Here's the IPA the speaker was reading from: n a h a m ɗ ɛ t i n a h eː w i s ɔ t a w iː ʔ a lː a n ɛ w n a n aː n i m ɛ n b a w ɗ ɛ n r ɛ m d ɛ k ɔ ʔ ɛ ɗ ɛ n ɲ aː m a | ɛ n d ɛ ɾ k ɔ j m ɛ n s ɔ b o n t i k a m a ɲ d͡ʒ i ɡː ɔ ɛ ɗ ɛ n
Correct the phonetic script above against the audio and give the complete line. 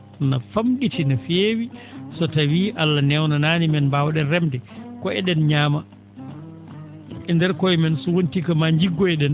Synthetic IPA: n a f a m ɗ i t i n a f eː w i s ɔ t a w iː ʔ a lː a n ɛ w n a n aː n i m ɛ n b a w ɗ ɛ n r ɛ m d ɛ k ɔ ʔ ɛ ɗ ɛ n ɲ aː m a | ɛ n d ɛ ɾ k ɔ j m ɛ n s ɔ w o n t i k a m a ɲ d͡ʒ i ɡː ɔ ɛ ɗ ɛ n